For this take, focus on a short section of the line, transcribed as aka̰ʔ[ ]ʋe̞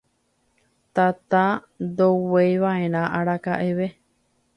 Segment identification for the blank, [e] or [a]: e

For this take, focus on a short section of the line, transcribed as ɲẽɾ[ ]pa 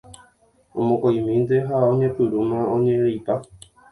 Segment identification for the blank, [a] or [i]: i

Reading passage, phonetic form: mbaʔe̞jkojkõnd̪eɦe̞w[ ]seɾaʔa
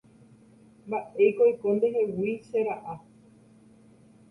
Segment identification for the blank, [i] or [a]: i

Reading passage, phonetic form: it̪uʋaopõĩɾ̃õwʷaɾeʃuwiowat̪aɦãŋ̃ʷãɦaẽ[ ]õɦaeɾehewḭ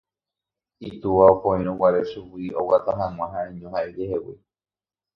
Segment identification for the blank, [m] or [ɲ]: ɲ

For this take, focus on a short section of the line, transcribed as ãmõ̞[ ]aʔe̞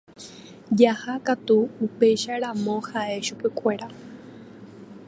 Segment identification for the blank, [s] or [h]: h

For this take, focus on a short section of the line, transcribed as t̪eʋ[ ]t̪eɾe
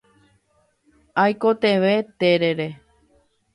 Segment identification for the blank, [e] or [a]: e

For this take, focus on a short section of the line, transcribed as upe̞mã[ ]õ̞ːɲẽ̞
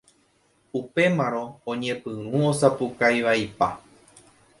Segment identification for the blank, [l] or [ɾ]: ɾ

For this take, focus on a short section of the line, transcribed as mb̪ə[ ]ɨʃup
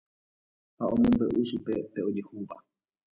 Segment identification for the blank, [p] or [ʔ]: ʔ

